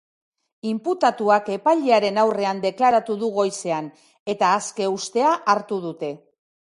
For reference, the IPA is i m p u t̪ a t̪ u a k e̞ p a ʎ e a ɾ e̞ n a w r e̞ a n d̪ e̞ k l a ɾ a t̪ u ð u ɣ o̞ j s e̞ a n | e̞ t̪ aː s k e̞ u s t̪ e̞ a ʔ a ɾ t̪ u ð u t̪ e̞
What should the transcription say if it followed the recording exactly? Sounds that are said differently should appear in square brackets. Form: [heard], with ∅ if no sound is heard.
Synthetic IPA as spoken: i m p u t̪ a t̪ u a k e̞ p a ʎ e a ɾ e̞ n a w r e̞ a n d̪ e̞ k l a ɾ a t̪ u ð u ɣ o̞ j s e̞ a n | e̞ t̪ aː s k e̞ u s t̪ e̞ a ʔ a ɾ t̪ u ð u t̪ e̞